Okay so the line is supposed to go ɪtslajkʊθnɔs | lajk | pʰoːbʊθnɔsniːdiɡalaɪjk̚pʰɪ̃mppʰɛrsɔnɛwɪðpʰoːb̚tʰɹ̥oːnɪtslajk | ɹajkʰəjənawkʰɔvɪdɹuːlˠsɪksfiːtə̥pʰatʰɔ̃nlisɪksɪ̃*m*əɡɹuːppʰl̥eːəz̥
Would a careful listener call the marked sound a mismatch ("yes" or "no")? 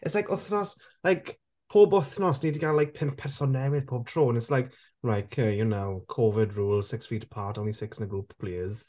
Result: yes